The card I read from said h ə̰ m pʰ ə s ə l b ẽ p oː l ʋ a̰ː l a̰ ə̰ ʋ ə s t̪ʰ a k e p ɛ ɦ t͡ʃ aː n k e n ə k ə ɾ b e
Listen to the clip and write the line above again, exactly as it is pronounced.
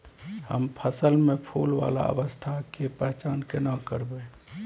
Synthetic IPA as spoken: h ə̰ m pʰ ə s ə l m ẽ pʰ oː l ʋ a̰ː l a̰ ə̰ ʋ ə s t̪ʰ a k e p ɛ ɦ t͡ʃ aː n k e n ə k ə ɾ b e